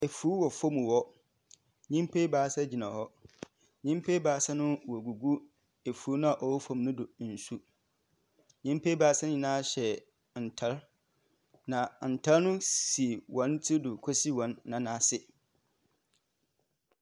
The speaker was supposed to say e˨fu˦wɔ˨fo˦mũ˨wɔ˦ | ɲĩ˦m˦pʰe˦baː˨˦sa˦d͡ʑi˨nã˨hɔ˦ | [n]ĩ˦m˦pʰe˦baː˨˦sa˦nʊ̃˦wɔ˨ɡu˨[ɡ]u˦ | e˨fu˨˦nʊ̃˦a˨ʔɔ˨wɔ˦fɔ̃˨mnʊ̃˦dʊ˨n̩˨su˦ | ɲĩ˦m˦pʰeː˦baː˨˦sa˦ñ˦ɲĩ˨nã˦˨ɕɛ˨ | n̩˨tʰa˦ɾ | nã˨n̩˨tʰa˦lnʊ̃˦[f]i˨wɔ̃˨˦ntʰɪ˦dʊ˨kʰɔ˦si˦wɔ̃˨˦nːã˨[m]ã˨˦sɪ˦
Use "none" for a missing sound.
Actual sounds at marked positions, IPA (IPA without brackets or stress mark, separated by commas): ɲ, ɡ, s, n